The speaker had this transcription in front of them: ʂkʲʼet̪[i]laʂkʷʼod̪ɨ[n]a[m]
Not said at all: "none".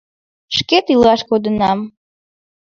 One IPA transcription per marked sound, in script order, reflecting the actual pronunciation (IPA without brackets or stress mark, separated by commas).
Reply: i, n, m